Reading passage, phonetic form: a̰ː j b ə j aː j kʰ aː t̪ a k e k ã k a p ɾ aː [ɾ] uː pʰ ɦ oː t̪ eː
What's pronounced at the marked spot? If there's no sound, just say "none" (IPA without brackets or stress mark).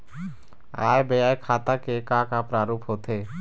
ɾ